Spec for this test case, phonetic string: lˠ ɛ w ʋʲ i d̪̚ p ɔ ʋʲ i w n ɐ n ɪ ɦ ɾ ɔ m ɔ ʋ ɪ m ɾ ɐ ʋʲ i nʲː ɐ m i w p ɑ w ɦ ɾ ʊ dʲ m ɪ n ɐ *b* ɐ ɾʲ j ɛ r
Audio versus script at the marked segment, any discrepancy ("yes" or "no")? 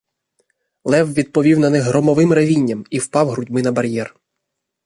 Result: no